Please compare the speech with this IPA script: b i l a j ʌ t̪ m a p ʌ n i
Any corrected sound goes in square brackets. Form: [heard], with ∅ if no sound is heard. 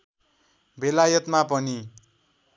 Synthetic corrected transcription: b [e] l a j ʌ t̪ m a p ʌ n i